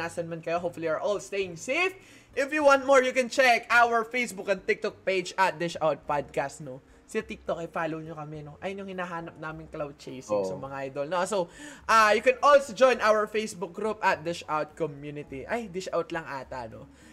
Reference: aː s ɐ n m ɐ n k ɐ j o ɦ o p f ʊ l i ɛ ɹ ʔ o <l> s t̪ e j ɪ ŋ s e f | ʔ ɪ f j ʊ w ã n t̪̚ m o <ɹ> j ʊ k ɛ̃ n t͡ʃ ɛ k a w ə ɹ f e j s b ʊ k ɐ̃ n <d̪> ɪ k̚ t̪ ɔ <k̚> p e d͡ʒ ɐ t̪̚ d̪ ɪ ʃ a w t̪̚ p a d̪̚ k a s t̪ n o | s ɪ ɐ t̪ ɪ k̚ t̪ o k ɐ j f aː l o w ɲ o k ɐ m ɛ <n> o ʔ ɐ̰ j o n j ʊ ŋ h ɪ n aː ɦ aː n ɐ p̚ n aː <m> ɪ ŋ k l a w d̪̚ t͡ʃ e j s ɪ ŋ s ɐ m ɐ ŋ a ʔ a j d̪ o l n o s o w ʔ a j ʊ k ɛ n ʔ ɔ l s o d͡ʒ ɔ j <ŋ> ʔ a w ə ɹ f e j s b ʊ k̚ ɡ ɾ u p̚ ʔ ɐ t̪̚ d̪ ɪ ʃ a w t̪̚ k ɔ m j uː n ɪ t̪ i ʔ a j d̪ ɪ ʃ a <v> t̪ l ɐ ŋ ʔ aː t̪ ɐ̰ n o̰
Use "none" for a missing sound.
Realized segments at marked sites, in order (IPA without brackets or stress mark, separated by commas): l, ɹ, t̪, k̚, n, m, n, w